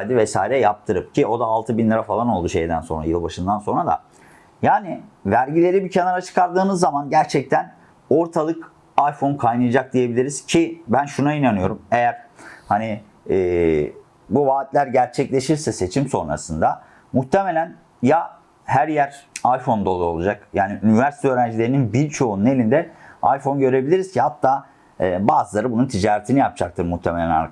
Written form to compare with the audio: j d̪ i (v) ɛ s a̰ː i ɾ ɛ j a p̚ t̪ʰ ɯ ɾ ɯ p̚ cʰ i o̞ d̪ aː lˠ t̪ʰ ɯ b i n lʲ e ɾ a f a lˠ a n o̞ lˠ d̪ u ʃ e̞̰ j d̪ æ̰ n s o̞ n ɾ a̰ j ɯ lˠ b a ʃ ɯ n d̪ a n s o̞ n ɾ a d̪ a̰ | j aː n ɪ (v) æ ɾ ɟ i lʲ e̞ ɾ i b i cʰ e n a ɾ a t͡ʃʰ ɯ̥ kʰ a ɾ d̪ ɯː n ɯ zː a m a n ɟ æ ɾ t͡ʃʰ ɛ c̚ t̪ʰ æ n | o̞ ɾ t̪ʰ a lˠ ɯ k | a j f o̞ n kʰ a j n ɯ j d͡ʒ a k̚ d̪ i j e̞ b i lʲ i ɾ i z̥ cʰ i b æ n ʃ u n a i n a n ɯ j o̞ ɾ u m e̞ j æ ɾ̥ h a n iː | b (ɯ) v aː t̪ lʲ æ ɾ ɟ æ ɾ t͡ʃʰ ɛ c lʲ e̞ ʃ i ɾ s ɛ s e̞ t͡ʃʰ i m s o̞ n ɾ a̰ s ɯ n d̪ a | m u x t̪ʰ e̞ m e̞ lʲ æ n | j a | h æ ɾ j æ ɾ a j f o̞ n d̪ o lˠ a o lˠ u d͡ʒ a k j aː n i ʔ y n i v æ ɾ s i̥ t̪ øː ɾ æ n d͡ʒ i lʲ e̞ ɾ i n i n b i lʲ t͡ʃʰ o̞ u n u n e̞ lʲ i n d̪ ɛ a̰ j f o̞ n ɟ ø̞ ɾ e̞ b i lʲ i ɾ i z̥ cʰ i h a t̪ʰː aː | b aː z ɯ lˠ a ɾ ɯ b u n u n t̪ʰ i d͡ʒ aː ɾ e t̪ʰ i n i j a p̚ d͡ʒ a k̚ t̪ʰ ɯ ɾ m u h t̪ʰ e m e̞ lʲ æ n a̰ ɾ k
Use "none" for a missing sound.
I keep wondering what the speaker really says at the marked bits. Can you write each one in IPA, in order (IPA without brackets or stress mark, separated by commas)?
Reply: v, v, u